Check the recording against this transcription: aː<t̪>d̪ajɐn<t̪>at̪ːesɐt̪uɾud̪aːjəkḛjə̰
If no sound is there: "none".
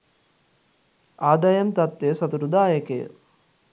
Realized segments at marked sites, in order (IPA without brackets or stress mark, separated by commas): none, t̪